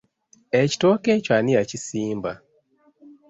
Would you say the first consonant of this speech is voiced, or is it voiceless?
voiceless